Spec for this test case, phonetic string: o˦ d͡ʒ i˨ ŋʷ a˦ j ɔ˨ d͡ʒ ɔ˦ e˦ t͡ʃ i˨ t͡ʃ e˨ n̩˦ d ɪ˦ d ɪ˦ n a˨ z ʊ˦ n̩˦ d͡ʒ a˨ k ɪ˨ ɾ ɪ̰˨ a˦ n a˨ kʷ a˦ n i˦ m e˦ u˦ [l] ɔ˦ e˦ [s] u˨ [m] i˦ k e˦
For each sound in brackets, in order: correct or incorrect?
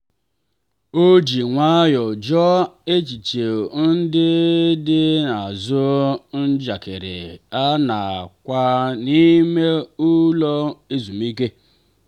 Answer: correct, incorrect: z, correct

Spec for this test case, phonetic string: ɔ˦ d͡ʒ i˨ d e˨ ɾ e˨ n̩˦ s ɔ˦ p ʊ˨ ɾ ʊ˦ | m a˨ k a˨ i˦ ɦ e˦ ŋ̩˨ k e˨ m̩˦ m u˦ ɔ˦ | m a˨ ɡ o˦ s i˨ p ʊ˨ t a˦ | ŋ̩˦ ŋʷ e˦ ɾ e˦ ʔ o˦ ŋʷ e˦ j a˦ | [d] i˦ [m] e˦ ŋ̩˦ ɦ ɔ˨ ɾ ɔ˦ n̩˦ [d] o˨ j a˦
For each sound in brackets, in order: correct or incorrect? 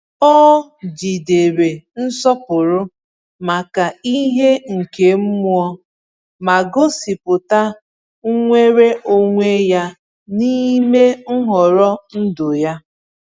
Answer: incorrect: n, correct, correct

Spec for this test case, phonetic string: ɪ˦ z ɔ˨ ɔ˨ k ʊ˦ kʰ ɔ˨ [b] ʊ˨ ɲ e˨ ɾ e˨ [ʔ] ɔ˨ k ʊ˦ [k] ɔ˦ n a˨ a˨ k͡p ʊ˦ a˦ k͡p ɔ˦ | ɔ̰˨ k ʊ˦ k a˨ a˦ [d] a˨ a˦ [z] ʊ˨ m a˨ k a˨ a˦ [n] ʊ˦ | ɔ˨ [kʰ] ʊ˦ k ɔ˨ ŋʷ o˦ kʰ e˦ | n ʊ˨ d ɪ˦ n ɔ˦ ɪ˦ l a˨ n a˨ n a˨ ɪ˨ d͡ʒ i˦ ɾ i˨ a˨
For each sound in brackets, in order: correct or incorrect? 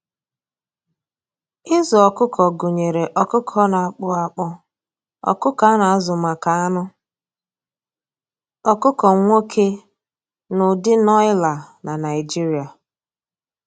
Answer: incorrect: ɡ, correct, incorrect: kʰ, incorrect: n, correct, correct, incorrect: k

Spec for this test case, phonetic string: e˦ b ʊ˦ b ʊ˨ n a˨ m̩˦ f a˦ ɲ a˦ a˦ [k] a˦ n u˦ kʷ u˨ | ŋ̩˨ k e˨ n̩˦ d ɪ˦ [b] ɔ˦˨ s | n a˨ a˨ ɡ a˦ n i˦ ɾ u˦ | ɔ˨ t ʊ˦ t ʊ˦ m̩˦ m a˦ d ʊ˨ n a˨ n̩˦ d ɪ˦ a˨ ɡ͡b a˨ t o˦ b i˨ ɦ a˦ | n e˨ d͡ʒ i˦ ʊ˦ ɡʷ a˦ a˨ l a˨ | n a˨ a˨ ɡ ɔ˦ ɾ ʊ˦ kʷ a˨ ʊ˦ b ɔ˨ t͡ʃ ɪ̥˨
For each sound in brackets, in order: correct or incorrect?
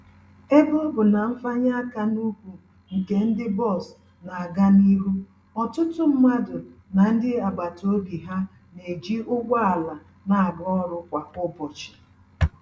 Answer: correct, correct

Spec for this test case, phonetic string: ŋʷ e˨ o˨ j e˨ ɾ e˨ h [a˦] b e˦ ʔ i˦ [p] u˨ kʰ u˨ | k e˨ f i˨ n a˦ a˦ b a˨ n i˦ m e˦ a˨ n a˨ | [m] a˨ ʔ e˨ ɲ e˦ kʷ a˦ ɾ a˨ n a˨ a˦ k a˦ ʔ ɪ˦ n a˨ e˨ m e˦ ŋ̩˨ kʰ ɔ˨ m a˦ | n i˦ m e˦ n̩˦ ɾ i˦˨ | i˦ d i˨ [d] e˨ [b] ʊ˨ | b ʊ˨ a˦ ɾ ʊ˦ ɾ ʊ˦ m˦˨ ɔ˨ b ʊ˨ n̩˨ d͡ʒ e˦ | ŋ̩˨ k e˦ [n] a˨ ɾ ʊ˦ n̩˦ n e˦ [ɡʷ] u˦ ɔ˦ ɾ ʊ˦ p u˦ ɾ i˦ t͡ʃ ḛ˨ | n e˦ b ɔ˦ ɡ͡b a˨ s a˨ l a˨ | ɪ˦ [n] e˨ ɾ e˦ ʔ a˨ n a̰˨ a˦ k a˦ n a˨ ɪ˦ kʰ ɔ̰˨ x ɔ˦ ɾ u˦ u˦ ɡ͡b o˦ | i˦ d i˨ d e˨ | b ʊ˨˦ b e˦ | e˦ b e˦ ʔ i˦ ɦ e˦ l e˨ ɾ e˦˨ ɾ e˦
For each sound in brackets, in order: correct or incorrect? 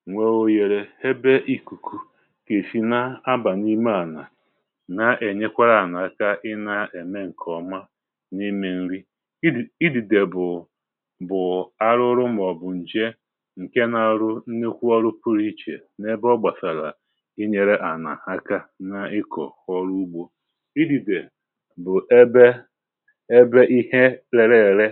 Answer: incorrect: e˦, incorrect: k, incorrect: n, correct, correct, correct, incorrect: kʷ, incorrect: ɲ

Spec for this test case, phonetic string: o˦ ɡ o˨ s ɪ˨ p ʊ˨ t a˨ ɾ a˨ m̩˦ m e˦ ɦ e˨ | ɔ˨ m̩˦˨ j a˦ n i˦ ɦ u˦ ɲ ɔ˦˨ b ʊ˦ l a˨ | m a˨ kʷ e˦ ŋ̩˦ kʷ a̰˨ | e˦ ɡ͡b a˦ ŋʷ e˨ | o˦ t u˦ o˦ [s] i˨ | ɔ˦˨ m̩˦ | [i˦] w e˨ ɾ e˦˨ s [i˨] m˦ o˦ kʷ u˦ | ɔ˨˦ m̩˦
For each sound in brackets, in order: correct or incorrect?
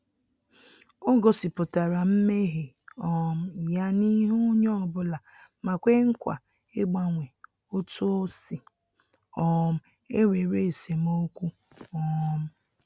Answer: correct, incorrect: e˦, incorrect: e˨

